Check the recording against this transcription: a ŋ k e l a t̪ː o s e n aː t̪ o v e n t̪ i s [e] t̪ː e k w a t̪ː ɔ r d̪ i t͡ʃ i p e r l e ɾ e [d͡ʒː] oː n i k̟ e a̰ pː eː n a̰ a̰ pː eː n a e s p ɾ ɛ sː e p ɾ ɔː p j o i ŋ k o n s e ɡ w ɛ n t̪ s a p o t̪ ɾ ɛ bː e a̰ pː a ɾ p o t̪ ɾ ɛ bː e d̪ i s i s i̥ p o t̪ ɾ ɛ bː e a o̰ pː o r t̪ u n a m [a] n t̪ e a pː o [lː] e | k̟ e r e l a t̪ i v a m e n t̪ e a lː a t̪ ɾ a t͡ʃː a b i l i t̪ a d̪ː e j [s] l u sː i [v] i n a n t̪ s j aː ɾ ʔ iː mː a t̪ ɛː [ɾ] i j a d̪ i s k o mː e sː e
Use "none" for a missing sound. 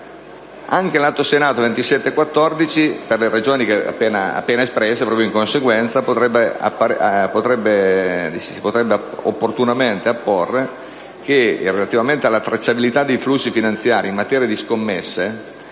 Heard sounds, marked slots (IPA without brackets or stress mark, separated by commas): ɛ, d͡ʒ, e, rː, f, f, ɾ